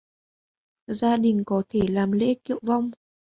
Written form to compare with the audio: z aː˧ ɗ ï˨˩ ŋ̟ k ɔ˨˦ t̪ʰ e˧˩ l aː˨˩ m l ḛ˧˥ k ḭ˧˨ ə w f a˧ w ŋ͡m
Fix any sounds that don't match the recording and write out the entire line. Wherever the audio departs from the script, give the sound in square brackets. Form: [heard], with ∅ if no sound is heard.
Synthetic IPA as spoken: z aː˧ ɗ ï˨˩ ŋ̟ k ɔ˨˦ t̪ʰ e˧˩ l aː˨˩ m l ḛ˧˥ k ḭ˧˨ ə w [v] a˧ w ŋ͡m